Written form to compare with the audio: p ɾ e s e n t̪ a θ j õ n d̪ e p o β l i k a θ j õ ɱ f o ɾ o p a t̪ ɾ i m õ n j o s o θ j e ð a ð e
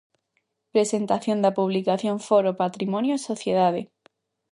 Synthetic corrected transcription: p ɾ e s e n t̪ a θ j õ n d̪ a p u β l i k a θ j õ ɱ f o ɾ o p a t̪ ɾ i m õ n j o s o θ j e ð a ð e